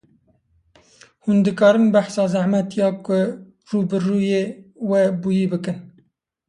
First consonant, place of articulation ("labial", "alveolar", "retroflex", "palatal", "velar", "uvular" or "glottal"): glottal